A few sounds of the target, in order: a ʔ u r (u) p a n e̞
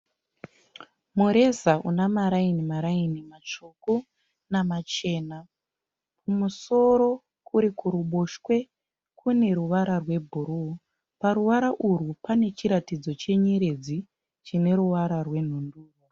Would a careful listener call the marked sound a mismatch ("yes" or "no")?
no